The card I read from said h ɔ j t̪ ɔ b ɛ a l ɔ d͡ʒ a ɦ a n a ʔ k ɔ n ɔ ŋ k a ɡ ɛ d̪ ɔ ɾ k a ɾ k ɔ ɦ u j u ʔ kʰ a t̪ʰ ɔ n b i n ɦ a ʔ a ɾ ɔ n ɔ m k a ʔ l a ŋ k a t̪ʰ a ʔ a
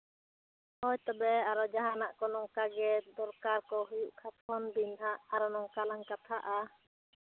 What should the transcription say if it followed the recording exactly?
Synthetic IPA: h ɔ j t̪ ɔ b ɛ a ɾ ɔ d͡ʒ a ɦ a n a ʔ k ɔ n ɔ ŋ k a ɡ ɛ d̪ ɔ ɾ k a ɾ k ɔ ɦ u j u ʔ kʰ a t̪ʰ ɔ n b i n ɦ a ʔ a ɾ ɔ n ɔ ŋ k a l a ŋ k a t̪ʰ a ʔ a